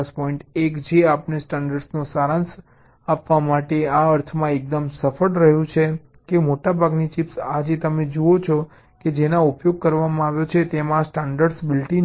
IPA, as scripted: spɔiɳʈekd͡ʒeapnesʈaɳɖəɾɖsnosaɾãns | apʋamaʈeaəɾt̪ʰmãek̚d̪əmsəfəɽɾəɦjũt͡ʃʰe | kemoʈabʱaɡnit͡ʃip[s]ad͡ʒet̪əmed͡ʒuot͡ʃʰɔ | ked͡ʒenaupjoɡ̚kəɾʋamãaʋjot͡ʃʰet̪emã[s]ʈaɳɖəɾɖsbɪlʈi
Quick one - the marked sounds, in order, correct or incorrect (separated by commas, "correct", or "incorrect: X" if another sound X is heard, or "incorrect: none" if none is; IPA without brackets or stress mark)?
correct, correct